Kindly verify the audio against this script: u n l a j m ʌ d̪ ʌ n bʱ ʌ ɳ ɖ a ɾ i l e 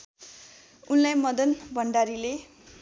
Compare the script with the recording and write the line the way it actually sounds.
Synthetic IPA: u n l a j m ʌ d̪ ʌ n bʱ ʌ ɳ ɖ a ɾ i l e